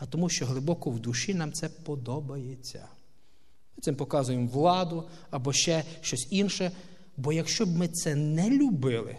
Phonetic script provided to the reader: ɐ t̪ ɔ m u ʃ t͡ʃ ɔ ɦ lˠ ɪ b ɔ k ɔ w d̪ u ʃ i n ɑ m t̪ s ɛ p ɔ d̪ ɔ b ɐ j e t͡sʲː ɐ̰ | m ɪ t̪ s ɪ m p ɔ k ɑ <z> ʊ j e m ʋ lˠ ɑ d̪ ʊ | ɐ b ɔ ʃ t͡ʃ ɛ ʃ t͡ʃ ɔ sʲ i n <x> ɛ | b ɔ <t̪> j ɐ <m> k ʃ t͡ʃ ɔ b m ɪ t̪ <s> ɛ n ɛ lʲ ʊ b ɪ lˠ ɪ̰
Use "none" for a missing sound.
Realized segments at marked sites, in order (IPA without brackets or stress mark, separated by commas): z, ʃ, none, none, s